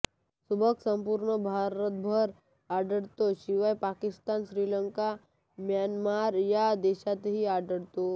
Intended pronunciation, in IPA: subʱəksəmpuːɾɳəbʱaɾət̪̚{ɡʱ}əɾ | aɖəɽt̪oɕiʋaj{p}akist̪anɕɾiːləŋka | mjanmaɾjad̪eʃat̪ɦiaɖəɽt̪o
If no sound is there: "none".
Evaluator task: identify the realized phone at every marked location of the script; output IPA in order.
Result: bʱ, p

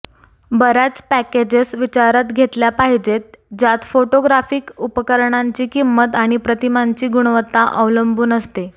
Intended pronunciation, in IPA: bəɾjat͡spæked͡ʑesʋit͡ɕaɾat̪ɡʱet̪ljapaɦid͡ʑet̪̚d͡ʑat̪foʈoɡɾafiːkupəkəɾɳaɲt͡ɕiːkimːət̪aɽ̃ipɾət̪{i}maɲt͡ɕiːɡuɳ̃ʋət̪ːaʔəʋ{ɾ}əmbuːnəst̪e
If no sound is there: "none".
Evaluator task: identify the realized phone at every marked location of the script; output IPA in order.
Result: i, l

